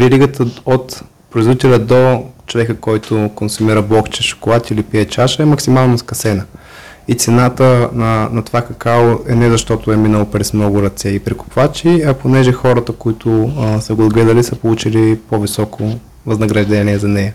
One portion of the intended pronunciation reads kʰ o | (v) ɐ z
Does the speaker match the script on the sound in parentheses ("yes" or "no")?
yes